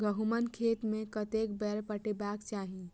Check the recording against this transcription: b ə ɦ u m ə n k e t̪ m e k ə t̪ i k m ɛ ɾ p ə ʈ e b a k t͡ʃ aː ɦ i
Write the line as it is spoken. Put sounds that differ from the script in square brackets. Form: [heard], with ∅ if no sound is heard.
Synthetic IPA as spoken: [ɡ] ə ɦ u m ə n [kʰ] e t̪ m e k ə t̪ [e] k [b] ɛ ɾ p ə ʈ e b a k t͡ʃ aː ɦ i